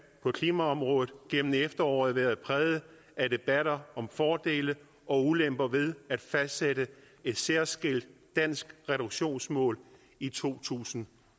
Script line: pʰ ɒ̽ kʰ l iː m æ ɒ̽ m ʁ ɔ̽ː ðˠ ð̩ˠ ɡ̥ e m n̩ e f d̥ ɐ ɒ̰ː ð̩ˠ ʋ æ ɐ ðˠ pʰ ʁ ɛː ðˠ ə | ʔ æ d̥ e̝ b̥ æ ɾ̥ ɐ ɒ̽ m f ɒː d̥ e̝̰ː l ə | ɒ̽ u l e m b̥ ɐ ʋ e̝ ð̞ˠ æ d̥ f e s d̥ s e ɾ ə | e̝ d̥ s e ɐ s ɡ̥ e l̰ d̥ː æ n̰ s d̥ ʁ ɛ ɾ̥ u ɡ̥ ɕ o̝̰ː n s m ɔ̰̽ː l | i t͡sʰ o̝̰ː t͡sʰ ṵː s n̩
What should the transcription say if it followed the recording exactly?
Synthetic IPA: pʰ ɒ̽ kʰ l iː m æ ɒ̽ m ʁ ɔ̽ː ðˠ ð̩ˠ ɡ̥ e m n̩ e f d̥ ɐ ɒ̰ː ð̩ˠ ʋ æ ɐ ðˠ pʰ ʁ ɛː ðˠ ə | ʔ æ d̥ e̝ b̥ æ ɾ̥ ɐ ɒ̽ m f ɒː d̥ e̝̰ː l ə | ɒ̽ u l e m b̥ ɐ ʋ e̝ ð̞ˠ æ d̥ f æ s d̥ s e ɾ ə | e̝ d̥ s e ɐ s ɡ̥ e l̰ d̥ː æ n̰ s ɡ̥ ʁ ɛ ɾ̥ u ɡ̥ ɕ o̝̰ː n s m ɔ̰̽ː l | i t͡sʰ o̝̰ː t͡sʰ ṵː s n̩